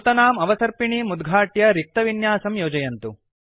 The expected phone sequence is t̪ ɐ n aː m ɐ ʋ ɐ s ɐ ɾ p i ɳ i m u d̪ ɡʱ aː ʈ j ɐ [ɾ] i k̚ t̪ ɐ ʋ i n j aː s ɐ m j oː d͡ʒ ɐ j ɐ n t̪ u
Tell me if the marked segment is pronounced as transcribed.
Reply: yes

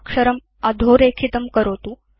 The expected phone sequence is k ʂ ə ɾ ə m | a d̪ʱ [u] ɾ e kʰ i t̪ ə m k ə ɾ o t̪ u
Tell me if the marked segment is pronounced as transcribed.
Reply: no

